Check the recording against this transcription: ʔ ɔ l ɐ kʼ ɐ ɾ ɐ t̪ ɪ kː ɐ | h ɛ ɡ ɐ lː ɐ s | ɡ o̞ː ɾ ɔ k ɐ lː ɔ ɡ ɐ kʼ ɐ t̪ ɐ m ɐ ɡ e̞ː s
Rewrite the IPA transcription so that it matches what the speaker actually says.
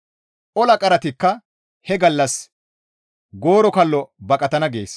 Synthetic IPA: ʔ ɔ l ɐ kʼ ɐ ɾ ɐ t̪ ɪ kː ɐ | h ɛ ɡ ɐ lː ɐ s | ɡ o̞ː ɾ ɔ k ɐ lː ɔ b ɐ kʼ ɐ t̪ ɐ n ɐ ɡ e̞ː s